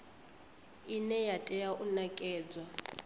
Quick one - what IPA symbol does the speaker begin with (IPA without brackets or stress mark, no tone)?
i